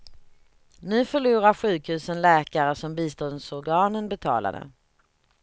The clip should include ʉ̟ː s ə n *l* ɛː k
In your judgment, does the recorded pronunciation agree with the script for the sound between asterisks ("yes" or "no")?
yes